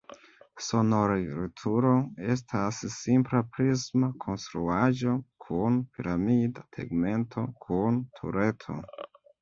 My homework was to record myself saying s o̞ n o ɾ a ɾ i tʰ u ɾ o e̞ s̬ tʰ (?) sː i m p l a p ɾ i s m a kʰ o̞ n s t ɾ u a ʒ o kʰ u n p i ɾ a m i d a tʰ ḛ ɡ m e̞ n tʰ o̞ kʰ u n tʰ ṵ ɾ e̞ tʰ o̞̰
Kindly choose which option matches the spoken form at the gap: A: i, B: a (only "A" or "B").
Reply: B